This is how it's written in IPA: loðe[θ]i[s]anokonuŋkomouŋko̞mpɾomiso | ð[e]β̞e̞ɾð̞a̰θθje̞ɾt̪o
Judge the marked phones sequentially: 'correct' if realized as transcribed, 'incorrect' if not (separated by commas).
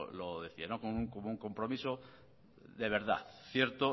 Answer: correct, incorrect, correct